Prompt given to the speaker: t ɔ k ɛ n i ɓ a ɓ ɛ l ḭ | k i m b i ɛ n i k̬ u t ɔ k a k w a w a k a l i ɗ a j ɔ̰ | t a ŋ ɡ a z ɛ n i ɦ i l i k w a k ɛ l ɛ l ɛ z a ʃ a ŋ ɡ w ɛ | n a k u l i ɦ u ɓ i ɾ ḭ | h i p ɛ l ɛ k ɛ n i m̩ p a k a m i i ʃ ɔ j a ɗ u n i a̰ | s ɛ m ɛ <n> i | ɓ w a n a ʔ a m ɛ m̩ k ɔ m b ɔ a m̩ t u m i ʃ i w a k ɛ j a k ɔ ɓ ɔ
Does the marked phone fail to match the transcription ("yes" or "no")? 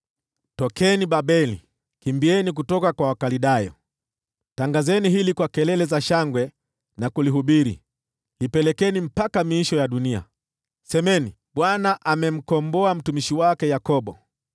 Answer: no